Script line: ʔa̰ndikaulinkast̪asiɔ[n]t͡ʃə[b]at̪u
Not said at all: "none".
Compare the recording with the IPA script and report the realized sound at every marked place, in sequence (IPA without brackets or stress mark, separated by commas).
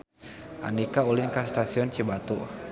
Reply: n, b